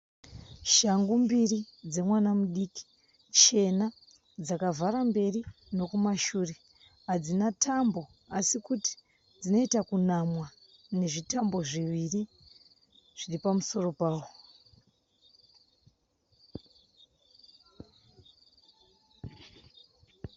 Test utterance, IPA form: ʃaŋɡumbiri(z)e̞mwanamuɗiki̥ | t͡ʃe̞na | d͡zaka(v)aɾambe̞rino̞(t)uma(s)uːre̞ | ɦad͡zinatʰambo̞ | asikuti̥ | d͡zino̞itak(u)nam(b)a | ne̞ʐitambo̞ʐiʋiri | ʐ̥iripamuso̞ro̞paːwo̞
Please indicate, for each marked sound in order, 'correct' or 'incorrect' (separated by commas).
incorrect, correct, incorrect, incorrect, correct, incorrect